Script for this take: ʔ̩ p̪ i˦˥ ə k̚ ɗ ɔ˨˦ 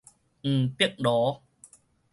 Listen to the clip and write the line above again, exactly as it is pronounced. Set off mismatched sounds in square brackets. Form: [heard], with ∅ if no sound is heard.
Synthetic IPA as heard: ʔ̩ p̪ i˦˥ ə k̚ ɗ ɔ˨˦